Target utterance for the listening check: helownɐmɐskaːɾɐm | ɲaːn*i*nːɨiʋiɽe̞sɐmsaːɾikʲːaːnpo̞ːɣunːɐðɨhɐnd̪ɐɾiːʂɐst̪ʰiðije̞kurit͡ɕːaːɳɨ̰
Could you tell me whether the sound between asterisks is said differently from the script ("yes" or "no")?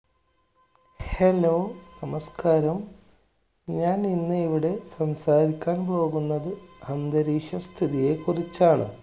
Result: no